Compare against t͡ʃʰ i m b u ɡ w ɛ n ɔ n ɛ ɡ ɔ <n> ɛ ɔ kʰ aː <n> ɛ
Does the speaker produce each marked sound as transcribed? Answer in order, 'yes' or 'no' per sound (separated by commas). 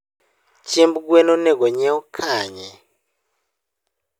no, no